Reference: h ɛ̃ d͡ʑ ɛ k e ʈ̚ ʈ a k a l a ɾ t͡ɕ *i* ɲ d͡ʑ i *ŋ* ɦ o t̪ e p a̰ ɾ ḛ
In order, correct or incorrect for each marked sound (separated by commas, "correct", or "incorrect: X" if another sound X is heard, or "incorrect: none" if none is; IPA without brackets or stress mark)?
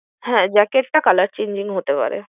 incorrect: e, correct